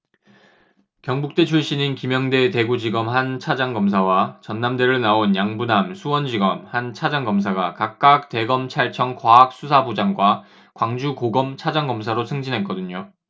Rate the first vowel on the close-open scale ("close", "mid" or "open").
mid